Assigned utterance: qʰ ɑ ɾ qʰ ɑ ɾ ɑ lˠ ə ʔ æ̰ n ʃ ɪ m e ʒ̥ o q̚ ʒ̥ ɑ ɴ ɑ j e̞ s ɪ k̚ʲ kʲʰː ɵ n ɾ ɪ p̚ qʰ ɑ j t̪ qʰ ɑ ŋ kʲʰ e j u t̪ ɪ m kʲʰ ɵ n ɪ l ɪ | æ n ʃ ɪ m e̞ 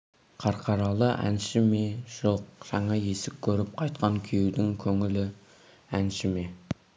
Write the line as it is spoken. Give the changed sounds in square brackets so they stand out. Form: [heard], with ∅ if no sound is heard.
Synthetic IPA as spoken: qʰ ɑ ɾ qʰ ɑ ɾ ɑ lˠ ə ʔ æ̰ n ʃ ɪ m e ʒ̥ o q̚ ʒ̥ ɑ ɴ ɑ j e̞ s ɪ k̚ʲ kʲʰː ɵ [∅] ɾ ɪ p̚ qʰ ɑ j t̪ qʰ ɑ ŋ kʲʰ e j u [d̪] ɪ [ŋ] kʲʰ ɵ [ŋ] ɪ l ɪ | æ n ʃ ɪ m e̞

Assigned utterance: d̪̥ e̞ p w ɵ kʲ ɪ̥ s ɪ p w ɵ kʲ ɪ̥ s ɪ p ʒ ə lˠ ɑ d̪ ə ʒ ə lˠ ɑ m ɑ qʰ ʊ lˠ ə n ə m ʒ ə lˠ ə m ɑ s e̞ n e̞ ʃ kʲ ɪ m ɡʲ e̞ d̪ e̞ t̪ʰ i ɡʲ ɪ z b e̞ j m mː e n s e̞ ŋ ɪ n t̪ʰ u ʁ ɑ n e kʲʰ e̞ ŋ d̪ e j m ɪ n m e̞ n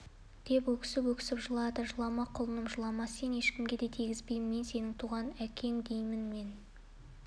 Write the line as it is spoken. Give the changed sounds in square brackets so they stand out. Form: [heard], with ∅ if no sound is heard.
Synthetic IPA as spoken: d̪̥ e̞ p w ɵ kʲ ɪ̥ s ɪ p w ɵ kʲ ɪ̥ s ɪ p ʒ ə lˠ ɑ d̪ ə ʒ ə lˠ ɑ m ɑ qʰ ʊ lˠ ə n ə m ʒ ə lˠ [ɑ] m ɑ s e̞ n e̞ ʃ kʲ ɪ m ɡʲ e̞ d̪ e̞ t̪ʰ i ɡʲ ɪ z b e̞ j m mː e n s e̞ [n] ɪ [ŋ] t̪ʰ u ʁ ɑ n [æ] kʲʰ e̞ ŋ d̪ e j m ɪ n m e̞ n

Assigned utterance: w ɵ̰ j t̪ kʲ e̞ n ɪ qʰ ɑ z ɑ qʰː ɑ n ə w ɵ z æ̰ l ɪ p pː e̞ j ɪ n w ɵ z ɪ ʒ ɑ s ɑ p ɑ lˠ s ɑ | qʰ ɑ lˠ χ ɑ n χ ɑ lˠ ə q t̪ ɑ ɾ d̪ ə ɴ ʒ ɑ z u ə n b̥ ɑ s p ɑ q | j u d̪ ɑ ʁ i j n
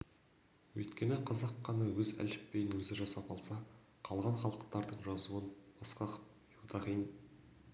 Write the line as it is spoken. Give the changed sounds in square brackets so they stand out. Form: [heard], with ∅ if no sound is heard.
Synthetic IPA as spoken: w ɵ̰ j t̪ kʲ e̞ n ɪ qʰ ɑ z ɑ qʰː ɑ n [ɑ] w ɵ z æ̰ l ɪ p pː e̞ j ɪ n w ɵ z ɪ ʒ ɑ s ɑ p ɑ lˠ s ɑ | qʰ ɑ lˠ [ʁ] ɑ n χ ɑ lˠ ə q t̪ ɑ ɾ d̪ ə ɴ ʒ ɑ z u ə n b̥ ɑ s [q] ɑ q | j u d̪ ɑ ʁ i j n

